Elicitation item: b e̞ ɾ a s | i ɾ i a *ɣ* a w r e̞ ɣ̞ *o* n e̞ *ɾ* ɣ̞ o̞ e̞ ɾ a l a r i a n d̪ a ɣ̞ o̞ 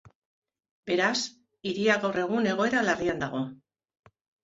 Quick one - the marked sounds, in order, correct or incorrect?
correct, incorrect: u, incorrect: none

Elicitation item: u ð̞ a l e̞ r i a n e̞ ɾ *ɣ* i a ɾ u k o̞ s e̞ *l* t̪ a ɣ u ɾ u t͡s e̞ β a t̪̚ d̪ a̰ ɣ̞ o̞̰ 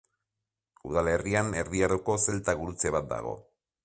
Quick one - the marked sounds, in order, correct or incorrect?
incorrect: ð, correct

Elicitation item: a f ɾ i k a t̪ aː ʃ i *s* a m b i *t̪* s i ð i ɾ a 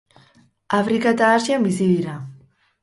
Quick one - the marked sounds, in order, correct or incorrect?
incorrect: none, incorrect: none

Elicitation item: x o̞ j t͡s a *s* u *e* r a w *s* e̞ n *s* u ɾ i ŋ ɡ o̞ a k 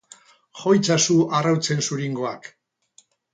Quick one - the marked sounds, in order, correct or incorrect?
correct, incorrect: a, incorrect: t͡s, correct

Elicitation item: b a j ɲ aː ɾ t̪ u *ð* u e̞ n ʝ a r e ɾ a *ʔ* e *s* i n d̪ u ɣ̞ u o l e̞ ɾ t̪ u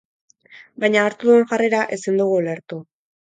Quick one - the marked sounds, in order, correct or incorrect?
correct, correct, correct

